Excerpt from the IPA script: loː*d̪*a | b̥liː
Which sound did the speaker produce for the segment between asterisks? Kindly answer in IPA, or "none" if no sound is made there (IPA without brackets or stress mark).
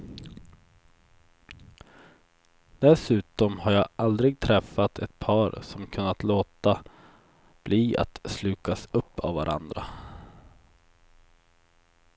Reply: t̪